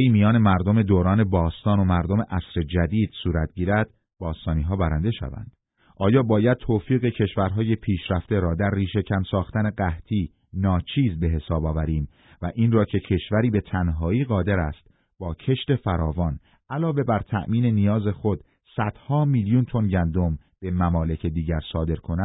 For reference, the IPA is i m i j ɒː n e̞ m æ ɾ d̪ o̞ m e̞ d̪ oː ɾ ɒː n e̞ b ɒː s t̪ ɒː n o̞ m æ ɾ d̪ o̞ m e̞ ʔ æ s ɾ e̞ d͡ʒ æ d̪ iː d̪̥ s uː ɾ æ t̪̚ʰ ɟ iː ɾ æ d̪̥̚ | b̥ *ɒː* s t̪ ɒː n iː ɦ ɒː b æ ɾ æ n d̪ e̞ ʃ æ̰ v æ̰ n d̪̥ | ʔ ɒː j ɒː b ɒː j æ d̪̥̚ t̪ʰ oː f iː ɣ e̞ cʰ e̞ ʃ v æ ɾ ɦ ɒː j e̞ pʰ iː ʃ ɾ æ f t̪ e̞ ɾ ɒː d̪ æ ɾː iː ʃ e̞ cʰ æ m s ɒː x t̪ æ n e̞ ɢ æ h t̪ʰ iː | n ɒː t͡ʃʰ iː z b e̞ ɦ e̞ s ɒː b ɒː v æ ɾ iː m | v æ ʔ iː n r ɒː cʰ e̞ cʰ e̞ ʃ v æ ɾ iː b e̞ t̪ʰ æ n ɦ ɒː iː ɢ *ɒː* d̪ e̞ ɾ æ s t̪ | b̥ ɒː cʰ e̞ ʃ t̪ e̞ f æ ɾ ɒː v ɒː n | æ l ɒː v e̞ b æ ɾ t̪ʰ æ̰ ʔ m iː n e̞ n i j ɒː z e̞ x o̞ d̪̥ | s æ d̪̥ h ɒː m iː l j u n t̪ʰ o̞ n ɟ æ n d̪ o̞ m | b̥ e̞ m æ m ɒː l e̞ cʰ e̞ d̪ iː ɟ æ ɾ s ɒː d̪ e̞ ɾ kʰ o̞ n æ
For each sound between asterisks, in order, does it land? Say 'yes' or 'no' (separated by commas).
yes, yes